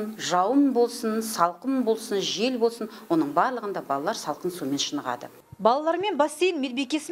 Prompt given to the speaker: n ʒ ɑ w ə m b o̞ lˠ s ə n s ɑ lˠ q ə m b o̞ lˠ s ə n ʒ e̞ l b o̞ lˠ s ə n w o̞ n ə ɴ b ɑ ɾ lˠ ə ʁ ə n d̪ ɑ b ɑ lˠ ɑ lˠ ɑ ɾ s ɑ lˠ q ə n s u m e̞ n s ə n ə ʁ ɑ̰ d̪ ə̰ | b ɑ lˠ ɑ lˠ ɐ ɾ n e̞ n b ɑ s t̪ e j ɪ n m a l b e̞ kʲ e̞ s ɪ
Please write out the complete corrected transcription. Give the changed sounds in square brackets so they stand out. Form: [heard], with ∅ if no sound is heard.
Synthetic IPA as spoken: n ʒ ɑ w ə m b o̞ lˠ s ə n s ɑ lˠ q ə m b o̞ lˠ s ə n ʒ e̞ l b o̞ lˠ s ə n w o̞ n ə ɴ b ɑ ɾ lˠ ə ʁ ə n d̪ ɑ b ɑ lˠ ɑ lˠ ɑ ɾ s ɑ lˠ q ə n s u m e̞ n [ʃ] ə n ə ʁ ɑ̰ d̪ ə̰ | b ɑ lˠ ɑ lˠ [ɑ] ɾ [m] e̞ n b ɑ s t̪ e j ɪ n m [e] l b e̞ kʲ e̞ s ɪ

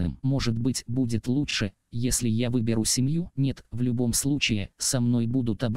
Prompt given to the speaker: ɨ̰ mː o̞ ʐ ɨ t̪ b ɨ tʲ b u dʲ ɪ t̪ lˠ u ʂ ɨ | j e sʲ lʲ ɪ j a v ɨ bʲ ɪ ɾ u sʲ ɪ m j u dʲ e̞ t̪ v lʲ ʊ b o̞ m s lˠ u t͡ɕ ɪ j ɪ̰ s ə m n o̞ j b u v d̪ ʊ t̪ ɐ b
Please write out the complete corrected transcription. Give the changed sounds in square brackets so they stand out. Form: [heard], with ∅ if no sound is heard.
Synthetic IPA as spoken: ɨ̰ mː o̞ ʐ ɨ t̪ b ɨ tʲ b u dʲ ɪ t̪ lˠ u ʂ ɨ | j e sʲ lʲ ɪ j a v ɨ bʲ ɪ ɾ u sʲ ɪ m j u [nʲ] e̞ t̪ v lʲ ʊ b o̞ m s lˠ u t͡ɕ ɪ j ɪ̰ s [ɐ] m n o̞ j b u [∅] d̪ ʊ t̪ ɐ b

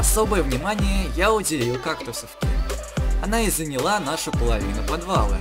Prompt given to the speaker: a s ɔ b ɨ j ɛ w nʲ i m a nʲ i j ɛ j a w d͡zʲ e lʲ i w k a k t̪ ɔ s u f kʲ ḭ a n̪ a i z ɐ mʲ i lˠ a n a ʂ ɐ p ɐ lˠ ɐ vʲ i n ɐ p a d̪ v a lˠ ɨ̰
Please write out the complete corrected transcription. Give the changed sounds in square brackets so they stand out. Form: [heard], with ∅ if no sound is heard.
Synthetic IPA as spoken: a s ɔ b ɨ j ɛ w nʲ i m a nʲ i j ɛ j a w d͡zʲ e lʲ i w k a k t̪ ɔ s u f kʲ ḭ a n̪ a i z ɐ [nʲ] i lˠ a n a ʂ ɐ p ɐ lˠ [a] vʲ i n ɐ p a d̪ v a lˠ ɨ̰

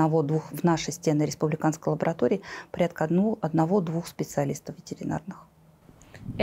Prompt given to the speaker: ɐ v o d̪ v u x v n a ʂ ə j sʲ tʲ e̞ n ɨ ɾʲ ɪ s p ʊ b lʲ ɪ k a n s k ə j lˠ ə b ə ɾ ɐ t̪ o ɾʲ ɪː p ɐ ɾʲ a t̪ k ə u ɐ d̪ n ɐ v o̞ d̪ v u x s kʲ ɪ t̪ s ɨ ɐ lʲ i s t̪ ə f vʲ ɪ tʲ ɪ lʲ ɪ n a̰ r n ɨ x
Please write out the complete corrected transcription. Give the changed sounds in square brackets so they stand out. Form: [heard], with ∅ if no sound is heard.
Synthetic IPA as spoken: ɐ v o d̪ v u x v n a ʂ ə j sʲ tʲ e̞ n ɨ ɾʲ ɪ s p ʊ b lʲ ɪ k a n s k ə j lˠ ə b ə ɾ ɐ t̪ o ɾʲ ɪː p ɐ ɾʲ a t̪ k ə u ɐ d̪ n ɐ v o̞ d̪ v u x s [pʲ] ɪ t̪ s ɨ ɐ lʲ i s t̪ ə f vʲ ɪ tʲ ɪ [ɾʲ] ɪ n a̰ r n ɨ x

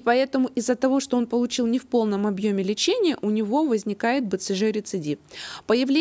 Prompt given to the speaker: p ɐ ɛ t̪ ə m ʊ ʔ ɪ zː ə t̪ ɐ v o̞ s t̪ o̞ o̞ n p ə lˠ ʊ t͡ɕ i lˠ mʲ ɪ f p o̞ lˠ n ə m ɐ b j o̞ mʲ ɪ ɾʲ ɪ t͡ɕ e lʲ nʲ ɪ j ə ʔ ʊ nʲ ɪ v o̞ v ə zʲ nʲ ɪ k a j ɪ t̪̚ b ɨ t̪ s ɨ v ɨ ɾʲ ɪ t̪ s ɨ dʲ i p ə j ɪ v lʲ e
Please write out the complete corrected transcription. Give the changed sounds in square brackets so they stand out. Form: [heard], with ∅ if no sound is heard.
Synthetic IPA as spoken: p ɐ ɛ t̪ ə m ʊ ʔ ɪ zː ə t̪ ɐ v o̞ [ʂ] t̪ o̞ o̞ n p ə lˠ ʊ t͡ɕ i lˠ [nʲ] ɪ f p o̞ lˠ n ə m ɐ b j o̞ mʲ ɪ [lʲ] ɪ t͡ɕ e [∅] nʲ ɪ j ə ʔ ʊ nʲ ɪ v o̞ v ə zʲ nʲ ɪ k a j ɪ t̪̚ b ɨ t̪ s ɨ [ʐ] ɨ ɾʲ ɪ t̪ s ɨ dʲ i p ə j ɪ v lʲ e

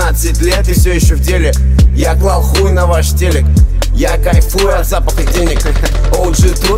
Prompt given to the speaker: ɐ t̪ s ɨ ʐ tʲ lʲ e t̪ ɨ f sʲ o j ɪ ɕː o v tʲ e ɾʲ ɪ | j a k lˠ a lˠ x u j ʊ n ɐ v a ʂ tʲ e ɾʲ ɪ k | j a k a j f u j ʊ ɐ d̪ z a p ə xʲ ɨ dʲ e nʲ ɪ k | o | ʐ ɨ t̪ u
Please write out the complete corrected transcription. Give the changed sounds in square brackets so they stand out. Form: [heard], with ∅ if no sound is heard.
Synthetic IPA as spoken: [a] t̪ s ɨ [∅] tʲ lʲ e t̪ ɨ f sʲ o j ɪ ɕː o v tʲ e [lʲ] ɪ | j a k lˠ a lˠ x u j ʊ n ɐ v a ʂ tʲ e [lʲ] ɪ k | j a k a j f u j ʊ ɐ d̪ z a p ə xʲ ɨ dʲ e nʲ ɪ k | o | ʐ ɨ t̪ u

